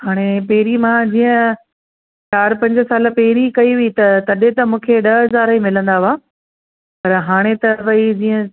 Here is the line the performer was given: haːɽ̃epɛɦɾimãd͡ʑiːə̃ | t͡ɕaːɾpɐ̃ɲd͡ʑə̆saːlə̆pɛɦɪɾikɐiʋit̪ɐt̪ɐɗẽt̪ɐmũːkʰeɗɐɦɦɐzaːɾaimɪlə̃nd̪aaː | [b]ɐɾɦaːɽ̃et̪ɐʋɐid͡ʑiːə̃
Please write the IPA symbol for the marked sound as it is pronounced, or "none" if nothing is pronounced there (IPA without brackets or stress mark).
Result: p